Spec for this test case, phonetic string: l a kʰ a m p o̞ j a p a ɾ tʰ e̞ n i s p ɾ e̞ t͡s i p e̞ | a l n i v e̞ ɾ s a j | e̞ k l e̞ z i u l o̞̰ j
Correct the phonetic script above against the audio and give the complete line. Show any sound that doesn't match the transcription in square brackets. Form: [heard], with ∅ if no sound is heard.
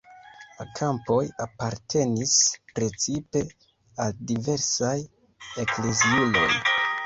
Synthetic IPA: l a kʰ a m p o̞ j a p a ɾ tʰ e̞ n i s p ɾ e̞ t͡s i p e̞ | a l [d] i v e̞ ɾ s a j | e̞ k l e̞ z i u l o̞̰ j

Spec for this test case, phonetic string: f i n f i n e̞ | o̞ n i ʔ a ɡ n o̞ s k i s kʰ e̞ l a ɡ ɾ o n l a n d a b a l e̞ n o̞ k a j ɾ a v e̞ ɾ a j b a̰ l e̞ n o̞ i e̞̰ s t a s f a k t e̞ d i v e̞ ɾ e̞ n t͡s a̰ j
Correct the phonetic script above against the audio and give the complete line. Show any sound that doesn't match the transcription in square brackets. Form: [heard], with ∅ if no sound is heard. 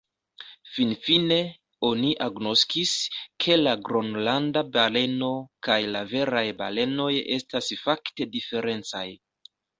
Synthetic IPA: f i n f i n e̞ | o̞ n i ʔ a ɡ n o̞ s k i s kʰ e̞ l a ɡ ɾ o n l a n d a b a l e̞ n o̞ k a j [l] a v e̞ ɾ a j b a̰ l e̞ n o̞ [j] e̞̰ s t a s f a k t e̞ d i [f] e̞ ɾ e̞ n t͡s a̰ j

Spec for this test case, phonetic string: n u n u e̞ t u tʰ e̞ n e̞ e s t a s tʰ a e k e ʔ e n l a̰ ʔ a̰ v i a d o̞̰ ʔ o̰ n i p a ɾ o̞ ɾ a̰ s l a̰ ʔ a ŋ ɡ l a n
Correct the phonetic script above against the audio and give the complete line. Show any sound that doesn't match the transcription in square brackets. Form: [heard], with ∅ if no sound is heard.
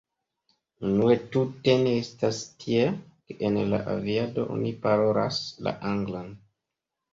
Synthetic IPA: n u n u e̞ t u [t] e̞ n e̞ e s t a s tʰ [i] e k e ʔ e n l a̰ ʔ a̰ v i a d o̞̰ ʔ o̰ n i p a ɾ o̞ ɾ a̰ s l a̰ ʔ a ŋ ɡ l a n

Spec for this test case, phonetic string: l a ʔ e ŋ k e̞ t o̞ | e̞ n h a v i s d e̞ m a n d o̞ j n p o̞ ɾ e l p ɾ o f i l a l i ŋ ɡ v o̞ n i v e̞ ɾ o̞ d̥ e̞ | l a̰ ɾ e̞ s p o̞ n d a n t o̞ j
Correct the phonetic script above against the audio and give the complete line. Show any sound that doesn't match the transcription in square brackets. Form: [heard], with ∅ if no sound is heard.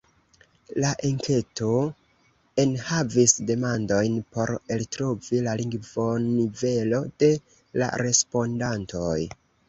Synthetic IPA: l a ʔ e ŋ k e̞ t o̞ | e̞ n h a v i s d e̞ m a n d o̞ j n p o̞ ɾ e l [t] ɾ o [v] i l a l i ŋ ɡ v o̞ n i v e̞ [l] o̞ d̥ e̞ | l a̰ ɾ e̞ s p o̞ n d a n t o̞ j

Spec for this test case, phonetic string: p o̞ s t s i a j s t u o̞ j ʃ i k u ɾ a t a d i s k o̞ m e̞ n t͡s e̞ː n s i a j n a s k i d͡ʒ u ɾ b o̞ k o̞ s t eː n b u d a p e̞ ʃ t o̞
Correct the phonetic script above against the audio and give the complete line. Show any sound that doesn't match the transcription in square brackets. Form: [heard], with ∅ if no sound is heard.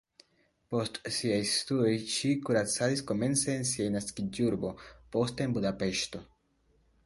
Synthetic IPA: p o̞ s t s i a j s t u o̞ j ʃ i k u ɾ a [t͡s] a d i s k o̞ m e̞ n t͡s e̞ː n s i a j n a s k i d͡ʒ u ɾ b o̞ [p] o̞ s t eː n b u d a p e̞ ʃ t o̞

